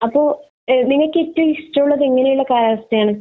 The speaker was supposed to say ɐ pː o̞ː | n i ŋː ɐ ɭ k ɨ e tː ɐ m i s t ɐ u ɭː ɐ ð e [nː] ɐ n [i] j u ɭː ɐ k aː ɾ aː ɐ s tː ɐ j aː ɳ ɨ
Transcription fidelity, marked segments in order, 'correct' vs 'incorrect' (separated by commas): incorrect, incorrect